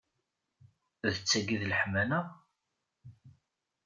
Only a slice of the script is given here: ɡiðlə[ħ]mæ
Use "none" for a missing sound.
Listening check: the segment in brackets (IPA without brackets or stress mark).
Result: ħ